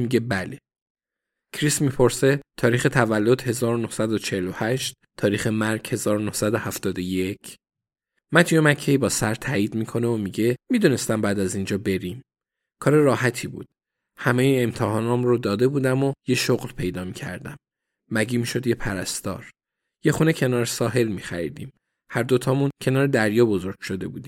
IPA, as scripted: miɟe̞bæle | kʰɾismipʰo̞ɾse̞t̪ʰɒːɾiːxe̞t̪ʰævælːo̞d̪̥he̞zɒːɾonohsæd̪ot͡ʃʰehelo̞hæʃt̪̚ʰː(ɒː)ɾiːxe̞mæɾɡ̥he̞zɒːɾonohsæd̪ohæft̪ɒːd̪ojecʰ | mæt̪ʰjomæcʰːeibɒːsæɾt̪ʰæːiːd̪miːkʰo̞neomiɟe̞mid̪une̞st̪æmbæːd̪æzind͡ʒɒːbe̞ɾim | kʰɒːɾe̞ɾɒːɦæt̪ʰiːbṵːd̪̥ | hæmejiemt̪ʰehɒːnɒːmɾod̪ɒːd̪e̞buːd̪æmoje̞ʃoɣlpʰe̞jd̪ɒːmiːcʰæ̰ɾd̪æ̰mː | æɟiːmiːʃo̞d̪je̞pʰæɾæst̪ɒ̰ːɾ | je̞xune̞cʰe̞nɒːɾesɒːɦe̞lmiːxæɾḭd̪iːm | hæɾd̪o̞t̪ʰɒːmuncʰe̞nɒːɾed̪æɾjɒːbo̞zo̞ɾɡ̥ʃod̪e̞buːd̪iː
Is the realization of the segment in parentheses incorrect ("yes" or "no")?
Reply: no